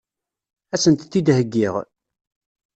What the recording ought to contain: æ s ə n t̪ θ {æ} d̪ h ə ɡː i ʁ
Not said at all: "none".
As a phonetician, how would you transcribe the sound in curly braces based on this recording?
i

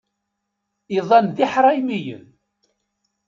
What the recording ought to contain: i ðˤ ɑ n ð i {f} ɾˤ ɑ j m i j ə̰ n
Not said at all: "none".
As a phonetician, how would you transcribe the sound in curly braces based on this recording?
ħ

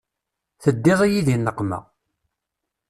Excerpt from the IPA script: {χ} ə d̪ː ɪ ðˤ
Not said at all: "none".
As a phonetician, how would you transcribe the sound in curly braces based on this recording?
θ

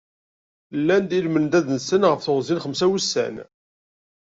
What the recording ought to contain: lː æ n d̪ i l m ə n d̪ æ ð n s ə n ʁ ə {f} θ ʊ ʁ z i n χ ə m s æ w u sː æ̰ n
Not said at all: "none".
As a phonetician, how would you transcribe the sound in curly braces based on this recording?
f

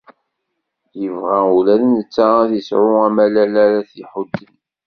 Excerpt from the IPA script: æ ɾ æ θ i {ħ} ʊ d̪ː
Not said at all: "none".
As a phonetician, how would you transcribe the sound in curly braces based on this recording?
ħ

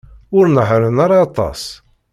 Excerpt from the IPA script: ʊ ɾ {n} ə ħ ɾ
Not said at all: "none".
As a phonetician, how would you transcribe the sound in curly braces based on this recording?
n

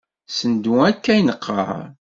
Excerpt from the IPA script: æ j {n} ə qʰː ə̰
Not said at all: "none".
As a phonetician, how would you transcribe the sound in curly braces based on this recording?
n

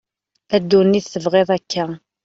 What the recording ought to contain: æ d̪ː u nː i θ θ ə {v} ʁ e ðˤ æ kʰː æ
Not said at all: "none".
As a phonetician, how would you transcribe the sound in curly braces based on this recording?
v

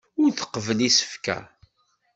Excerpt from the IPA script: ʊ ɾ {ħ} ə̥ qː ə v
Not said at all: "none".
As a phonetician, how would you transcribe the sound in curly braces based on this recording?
θ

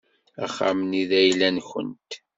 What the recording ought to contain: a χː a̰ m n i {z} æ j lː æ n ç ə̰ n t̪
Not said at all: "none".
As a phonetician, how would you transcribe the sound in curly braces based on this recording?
ð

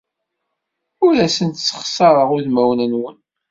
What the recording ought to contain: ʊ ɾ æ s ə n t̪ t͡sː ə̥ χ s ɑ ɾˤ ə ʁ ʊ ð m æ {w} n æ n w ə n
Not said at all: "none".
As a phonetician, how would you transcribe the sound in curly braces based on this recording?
w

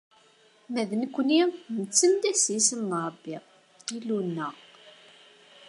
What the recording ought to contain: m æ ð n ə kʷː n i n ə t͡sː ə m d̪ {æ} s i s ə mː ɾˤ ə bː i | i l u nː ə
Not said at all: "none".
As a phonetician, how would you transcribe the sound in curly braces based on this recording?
æ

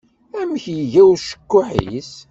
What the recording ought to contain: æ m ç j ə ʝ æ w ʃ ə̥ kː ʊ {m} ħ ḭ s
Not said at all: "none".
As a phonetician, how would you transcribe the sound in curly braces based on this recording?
none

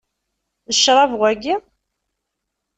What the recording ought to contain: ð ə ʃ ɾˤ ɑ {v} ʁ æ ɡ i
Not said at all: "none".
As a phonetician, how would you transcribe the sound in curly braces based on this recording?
v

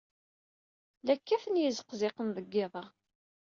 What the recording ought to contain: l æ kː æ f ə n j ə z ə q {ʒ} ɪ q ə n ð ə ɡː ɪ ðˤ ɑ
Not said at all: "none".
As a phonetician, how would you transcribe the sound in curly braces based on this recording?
z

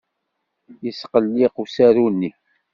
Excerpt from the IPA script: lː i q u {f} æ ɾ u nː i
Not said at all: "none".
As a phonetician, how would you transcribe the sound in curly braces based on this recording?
s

